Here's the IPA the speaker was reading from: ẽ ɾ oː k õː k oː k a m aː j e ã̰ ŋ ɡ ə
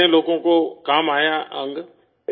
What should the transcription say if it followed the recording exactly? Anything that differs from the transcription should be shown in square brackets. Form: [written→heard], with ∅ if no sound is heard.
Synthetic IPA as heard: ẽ [ɾ→l] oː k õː k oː k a m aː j [e→a] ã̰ ŋ ɡ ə